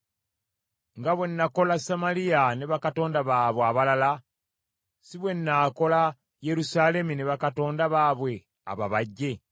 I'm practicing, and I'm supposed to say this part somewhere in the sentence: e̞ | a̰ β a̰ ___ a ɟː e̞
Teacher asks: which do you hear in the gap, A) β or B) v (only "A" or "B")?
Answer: A